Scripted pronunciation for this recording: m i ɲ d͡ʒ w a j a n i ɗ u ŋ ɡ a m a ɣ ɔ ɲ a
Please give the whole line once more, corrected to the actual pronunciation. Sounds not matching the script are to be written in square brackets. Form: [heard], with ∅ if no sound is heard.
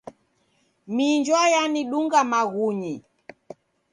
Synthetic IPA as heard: m i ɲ d͡ʒ w a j a n i ɗ u ŋ ɡ a m a ɣ [u] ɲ [i]